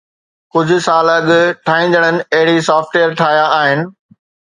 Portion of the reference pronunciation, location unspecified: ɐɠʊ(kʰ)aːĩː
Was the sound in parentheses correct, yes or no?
no